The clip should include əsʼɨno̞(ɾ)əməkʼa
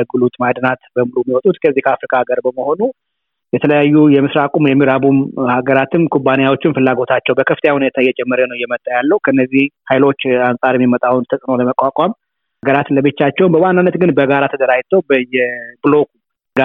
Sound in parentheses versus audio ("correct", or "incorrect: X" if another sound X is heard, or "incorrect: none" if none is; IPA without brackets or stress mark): incorrect: l